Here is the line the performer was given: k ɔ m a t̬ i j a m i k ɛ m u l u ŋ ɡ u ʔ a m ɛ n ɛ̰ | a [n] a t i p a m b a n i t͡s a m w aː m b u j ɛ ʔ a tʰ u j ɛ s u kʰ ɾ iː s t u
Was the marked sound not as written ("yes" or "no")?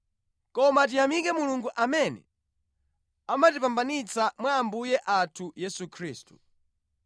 yes